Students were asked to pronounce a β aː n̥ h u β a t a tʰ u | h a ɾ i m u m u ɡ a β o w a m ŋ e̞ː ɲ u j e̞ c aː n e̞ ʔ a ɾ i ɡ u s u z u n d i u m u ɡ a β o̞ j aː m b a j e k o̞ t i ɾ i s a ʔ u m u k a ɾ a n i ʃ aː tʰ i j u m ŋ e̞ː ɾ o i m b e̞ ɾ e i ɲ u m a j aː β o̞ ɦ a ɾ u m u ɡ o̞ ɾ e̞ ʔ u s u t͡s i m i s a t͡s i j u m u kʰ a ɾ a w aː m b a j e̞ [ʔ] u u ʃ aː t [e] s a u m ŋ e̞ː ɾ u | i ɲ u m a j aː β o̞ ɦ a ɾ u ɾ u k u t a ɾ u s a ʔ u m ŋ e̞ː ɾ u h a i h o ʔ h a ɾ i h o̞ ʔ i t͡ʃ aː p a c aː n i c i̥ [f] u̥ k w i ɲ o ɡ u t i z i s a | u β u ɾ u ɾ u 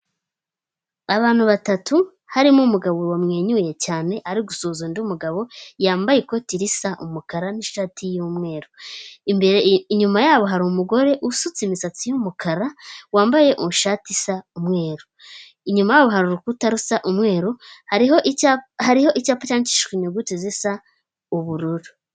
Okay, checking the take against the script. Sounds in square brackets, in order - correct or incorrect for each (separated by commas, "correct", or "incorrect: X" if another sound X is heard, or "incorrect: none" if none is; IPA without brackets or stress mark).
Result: correct, incorrect: i, incorrect: ʃ